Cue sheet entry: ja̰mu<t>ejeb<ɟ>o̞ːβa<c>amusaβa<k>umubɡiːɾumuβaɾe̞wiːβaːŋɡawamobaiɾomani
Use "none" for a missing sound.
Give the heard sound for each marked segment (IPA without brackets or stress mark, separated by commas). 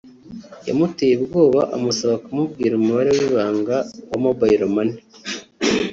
t, ɡ, ʔ, k